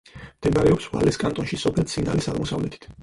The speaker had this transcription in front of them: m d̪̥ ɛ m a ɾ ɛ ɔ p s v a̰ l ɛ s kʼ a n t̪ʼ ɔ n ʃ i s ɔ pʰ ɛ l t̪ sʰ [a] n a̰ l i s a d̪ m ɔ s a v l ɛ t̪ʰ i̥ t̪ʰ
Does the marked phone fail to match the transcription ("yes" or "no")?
yes